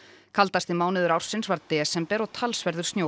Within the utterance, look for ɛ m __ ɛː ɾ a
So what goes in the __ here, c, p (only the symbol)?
p